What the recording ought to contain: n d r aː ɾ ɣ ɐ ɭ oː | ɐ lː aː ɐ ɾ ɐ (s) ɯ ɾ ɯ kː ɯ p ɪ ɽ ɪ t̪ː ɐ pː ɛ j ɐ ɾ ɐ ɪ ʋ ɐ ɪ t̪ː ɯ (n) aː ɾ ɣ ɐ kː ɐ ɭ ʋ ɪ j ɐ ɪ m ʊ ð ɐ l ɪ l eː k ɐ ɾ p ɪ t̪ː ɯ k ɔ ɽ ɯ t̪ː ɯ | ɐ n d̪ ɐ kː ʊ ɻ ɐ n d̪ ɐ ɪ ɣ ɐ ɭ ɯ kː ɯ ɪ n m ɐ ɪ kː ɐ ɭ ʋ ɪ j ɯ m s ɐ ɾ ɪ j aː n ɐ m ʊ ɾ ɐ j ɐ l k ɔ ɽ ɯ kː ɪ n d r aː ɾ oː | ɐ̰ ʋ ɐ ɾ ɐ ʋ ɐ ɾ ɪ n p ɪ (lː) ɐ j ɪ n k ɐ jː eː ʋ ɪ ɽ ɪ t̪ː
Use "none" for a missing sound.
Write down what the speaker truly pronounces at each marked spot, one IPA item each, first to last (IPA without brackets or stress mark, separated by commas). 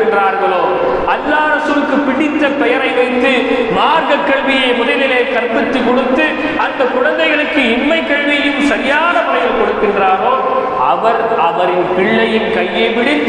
s, m, ɭː